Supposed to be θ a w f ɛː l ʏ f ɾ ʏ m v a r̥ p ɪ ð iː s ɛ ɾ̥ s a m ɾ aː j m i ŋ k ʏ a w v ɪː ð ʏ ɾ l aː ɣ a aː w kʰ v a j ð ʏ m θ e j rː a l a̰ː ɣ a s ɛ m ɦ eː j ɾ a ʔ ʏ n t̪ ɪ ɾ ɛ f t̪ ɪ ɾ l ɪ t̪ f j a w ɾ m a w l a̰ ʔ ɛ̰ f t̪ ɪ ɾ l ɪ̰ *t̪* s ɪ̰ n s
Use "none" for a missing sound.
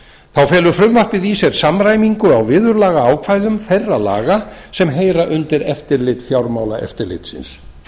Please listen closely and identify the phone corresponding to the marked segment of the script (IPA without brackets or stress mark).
t̪